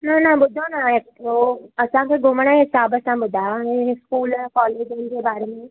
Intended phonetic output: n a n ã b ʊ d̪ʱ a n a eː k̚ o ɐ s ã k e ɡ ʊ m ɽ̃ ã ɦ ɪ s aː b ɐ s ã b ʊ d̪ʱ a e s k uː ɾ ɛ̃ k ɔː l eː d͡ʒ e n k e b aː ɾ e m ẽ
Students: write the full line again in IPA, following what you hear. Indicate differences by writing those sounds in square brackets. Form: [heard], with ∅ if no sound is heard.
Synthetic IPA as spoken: n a n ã b ʊ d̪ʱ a n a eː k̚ o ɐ s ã k e ɡ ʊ m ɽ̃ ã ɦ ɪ s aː b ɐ s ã b ʊ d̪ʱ a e s k uː [l] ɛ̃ k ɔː l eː d͡ʒ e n k e b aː ɾ e m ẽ